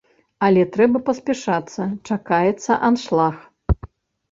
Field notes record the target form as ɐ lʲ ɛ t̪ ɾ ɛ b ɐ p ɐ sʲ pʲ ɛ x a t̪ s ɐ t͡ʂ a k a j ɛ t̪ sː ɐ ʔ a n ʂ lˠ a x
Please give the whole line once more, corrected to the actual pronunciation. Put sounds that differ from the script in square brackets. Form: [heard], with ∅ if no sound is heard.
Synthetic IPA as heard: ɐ lʲ ɛ t̪ ɾ ɛ b ɐ p ɐ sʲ pʲ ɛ [ʂ] a t̪ [sː] ɐ t͡ʂ a k a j ɛ t̪ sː ɐ ʔ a n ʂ lˠ a x